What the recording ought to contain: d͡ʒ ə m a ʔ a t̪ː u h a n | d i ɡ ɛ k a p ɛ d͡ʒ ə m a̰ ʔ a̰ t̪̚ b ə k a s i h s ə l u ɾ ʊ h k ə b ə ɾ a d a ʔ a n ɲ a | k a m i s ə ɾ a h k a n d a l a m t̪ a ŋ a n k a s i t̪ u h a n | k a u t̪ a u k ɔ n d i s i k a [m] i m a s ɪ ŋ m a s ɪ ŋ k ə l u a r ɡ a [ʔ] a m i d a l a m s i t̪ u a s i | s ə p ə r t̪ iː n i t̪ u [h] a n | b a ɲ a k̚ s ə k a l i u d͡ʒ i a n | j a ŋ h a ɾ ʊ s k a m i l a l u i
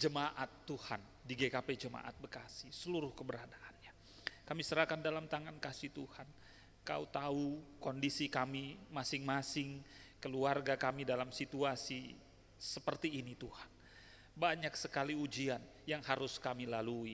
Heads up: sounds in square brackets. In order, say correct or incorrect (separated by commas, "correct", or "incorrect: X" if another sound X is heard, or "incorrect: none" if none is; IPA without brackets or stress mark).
correct, incorrect: k, correct